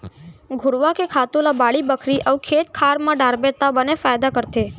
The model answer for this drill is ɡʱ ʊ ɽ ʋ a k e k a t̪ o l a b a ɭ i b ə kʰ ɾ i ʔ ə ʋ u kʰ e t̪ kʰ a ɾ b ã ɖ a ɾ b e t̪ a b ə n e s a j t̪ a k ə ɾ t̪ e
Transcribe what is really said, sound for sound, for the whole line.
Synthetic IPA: ɡʱ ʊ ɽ ʋ a k e kʰ a t̪ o l a b a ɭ i b ə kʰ ɾ i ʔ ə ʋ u kʰ e t̪ kʰ a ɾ m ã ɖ a ɾ b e t̪ a b ə n e f a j d̪ a k ə ɾ t̪ e